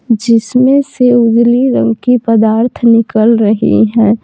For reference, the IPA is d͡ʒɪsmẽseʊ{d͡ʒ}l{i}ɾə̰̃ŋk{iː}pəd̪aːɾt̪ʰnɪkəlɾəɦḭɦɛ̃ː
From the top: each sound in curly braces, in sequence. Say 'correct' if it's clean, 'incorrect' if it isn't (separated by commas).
correct, correct, incorrect